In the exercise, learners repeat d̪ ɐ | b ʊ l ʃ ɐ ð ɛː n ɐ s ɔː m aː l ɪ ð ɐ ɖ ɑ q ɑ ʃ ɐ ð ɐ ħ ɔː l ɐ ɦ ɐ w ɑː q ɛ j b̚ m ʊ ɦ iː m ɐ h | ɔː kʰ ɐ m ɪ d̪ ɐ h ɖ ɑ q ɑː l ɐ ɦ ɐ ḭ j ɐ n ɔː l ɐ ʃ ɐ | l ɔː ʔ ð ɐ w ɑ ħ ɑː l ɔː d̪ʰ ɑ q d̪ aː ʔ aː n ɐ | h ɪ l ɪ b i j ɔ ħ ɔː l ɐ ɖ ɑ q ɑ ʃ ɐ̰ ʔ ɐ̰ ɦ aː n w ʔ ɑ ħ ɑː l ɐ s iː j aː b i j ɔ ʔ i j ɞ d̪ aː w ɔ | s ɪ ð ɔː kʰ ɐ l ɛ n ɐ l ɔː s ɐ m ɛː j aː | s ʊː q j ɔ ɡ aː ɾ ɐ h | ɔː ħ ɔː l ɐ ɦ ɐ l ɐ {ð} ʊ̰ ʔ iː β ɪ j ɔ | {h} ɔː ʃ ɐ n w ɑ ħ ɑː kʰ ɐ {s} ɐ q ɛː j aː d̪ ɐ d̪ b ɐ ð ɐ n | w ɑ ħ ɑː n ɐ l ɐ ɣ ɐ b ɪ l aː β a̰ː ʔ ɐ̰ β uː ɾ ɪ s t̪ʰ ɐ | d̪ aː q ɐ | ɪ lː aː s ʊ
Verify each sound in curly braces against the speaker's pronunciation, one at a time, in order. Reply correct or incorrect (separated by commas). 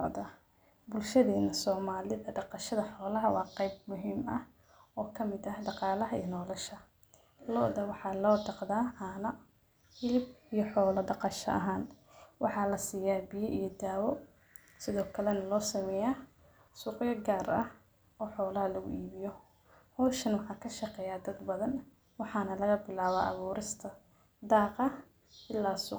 incorrect, correct, incorrect